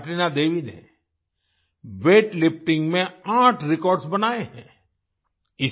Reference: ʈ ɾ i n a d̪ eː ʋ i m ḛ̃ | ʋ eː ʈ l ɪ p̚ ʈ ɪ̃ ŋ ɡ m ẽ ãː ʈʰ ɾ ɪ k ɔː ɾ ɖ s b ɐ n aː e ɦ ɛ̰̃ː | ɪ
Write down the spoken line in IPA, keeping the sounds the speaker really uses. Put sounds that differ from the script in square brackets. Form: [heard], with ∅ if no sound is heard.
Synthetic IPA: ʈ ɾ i n a d̪ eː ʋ i [n] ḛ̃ | ʋ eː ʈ l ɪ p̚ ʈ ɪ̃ ŋ ɡ m ẽ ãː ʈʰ ɾ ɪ k ɔː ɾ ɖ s b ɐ n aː e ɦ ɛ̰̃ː | ɪ

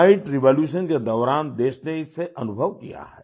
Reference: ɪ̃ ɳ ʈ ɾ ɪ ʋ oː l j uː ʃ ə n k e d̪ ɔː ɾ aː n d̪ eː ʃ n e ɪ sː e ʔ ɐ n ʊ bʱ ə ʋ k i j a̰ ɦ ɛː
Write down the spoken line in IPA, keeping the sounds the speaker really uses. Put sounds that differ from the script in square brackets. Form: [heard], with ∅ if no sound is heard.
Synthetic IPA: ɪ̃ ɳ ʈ ɾ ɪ ʋ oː l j uː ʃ ə n k e d̪ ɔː ɾ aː n d̪ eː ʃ n e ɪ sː e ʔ ɐ n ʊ bʱ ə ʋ k i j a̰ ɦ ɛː

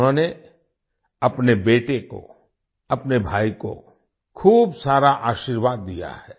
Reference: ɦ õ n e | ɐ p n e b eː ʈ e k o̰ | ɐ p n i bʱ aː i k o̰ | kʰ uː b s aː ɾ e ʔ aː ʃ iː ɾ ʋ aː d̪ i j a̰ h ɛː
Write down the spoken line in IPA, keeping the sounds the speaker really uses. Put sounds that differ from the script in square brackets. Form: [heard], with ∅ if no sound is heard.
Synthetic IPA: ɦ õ n e | ɐ p n e b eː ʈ e k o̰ | ɐ p n [e] bʱ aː i k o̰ | kʰ uː b s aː ɾ [a] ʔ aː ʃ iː ɾ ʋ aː [d̪ː] i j a̰ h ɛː

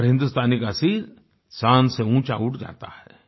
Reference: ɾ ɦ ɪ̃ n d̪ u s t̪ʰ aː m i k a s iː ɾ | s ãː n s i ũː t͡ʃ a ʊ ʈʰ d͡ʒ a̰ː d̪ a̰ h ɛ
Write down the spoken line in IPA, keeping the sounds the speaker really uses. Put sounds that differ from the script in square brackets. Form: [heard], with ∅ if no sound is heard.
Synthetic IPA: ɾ ɦ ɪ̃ n d̪ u s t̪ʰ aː [n] i k a s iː ɾ | s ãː n s [e] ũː t͡ʃ a ʊ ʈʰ d͡ʒ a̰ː [t̪] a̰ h ɛ

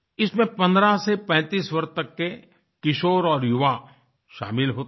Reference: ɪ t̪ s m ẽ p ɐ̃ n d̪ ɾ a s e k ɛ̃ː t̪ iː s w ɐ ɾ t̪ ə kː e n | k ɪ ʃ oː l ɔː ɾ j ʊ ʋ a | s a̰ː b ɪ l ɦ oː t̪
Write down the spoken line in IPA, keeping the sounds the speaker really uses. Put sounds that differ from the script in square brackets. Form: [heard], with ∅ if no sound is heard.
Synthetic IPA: ɪ [∅] s m ẽ p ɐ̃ n d̪ ɾ a s e [p] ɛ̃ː t̪ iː s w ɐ ɾ t̪ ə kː e [∅] | k ɪ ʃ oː [ɾ] ɔː ɾ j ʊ ʋ a | [ʃ] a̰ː [m] ɪ l ɦ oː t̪

